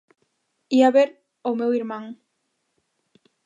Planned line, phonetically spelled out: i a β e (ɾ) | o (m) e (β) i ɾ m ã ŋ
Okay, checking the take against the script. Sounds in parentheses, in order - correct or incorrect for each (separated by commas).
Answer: correct, correct, incorrect